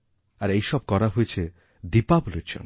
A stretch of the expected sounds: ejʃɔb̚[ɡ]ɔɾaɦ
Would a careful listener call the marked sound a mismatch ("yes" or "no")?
yes